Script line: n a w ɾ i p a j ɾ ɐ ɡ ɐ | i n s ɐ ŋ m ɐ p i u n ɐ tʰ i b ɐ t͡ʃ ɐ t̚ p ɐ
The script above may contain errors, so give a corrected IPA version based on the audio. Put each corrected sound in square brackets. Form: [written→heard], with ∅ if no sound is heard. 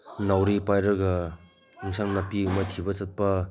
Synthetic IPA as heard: n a w ɾ i p a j ɾ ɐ ɡ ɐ | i [n→ŋ] s [ɐ→a] ŋ [m→n] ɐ p i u [n→m] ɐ tʰ i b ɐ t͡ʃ ɐ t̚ p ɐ